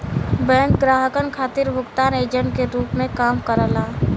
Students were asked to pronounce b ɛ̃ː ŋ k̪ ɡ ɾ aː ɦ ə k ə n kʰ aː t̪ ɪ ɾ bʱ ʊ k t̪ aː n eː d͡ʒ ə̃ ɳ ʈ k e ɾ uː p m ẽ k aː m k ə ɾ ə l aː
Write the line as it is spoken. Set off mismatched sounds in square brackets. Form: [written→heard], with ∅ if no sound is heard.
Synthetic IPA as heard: b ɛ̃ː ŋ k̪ ɡ ɾ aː ɦ ə k ə n kʰ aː t̪ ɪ ɾ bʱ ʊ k t̪ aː n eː d͡ʒ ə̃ ɳ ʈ k e ɾ uː p m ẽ k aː m k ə ɾ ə l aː